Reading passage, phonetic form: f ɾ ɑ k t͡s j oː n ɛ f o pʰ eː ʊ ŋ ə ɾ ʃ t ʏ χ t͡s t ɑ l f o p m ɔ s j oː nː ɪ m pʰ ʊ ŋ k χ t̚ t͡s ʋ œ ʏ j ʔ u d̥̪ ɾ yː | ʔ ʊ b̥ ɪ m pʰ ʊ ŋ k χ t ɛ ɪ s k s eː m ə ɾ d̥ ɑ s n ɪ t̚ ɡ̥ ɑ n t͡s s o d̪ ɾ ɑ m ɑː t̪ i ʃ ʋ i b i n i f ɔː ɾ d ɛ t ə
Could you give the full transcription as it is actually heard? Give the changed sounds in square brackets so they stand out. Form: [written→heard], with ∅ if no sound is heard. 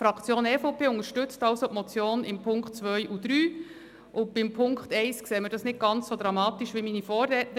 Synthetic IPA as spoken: f ɾ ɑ k t͡s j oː n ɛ f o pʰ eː ʊ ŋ ə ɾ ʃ t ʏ [χ→∅] t͡s t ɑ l [f→s] o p m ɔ [s→t͡s] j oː [nː→n] ɪ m pʰ ʊ ŋ k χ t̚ t͡s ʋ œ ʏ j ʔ u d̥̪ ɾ yː | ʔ ʊ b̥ ɪ m pʰ ʊ ŋ k χ t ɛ ɪ s k s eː m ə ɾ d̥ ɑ s n ɪ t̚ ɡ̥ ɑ n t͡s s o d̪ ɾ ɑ m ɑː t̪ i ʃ ʋ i [b→m] i n i f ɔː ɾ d ɛ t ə